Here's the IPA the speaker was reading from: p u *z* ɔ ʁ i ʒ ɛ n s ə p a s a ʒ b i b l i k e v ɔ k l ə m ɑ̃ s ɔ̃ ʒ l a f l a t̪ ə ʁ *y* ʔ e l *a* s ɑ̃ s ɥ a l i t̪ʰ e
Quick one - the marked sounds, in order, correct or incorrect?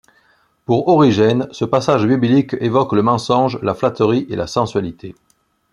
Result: incorrect: ʁ, incorrect: i, correct

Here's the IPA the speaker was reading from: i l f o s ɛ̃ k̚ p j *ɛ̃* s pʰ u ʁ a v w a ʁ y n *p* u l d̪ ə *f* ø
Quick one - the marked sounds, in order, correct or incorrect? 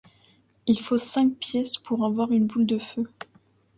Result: incorrect: ɛ, incorrect: b, correct

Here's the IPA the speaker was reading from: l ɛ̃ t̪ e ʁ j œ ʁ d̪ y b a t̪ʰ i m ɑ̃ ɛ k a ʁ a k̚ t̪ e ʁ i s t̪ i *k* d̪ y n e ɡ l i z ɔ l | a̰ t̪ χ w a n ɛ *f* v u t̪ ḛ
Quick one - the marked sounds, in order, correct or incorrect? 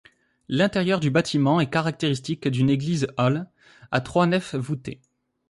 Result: correct, correct

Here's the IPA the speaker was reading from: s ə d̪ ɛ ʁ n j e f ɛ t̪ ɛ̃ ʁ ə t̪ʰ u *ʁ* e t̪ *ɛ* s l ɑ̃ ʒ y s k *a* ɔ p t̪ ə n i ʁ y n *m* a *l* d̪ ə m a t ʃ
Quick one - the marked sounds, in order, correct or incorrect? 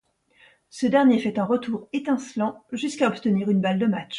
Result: correct, incorrect: ɛ̃, correct, incorrect: b, correct

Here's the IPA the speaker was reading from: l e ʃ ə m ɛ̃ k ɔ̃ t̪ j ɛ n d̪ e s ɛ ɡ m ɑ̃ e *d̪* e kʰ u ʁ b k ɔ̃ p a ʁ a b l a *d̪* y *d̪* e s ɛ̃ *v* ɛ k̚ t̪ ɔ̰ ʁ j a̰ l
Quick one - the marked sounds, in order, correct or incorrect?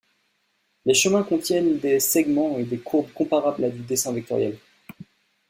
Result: correct, correct, correct, correct

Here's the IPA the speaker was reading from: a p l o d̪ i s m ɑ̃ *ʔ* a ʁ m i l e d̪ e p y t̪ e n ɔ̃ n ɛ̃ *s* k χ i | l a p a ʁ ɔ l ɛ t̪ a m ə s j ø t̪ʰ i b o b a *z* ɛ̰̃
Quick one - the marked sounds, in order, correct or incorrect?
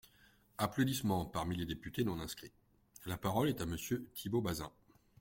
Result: incorrect: p, correct, correct

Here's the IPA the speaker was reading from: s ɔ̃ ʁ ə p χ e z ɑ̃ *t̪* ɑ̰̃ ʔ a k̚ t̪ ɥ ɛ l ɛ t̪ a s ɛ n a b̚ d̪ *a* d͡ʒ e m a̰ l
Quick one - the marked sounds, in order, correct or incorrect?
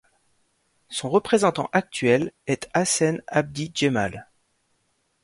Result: correct, incorrect: i

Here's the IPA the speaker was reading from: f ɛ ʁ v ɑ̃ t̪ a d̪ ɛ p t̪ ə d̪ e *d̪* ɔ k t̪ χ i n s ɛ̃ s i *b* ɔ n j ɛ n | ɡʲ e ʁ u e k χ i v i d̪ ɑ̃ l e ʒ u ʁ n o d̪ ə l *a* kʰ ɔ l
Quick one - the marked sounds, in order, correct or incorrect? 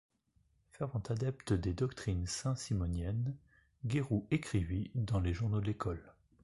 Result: correct, incorrect: m, incorrect: e

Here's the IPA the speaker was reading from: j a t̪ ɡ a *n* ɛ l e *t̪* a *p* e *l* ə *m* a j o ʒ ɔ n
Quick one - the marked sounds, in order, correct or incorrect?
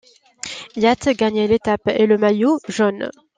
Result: incorrect: ɲ, correct, correct, correct, correct

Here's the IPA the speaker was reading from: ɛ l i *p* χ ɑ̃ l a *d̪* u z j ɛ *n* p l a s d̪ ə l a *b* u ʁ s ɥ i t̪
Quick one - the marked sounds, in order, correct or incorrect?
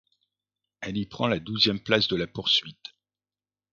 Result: correct, correct, incorrect: m, incorrect: p

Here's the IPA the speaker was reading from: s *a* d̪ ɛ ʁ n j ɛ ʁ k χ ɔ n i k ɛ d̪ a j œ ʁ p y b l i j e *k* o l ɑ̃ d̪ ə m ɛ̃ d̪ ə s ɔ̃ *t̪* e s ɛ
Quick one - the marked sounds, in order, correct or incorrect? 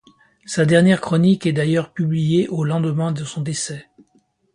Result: correct, incorrect: ʔ, incorrect: d̪

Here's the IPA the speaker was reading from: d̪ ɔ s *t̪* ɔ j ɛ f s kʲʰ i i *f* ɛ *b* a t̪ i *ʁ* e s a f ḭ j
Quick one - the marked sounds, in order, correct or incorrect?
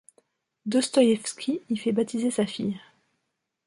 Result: correct, correct, correct, incorrect: z

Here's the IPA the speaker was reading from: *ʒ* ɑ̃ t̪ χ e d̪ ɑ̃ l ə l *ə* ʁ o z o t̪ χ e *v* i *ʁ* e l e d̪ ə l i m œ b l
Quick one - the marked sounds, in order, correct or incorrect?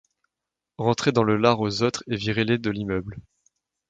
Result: incorrect: ʁ, incorrect: a, correct, correct

